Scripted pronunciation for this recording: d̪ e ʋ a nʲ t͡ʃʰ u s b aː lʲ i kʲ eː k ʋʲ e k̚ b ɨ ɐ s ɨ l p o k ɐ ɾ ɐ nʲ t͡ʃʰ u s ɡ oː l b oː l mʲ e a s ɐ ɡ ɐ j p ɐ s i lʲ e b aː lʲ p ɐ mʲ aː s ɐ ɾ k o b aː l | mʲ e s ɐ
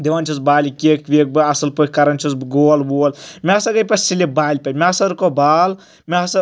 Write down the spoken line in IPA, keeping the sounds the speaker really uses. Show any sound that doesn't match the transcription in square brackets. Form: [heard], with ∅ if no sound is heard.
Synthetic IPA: d̪ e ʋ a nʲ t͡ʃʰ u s b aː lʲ i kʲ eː k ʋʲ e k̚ b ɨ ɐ s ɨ l p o k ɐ ɾ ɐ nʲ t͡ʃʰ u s ɡ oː l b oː l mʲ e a s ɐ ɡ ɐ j p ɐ s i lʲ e b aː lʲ p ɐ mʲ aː s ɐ ɾ k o b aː l | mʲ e s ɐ